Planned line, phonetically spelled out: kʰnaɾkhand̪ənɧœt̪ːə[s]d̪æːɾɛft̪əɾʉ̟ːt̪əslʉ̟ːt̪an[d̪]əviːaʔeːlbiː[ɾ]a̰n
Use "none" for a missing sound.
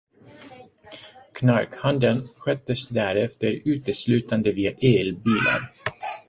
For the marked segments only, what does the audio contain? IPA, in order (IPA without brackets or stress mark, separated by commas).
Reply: s, d̪, l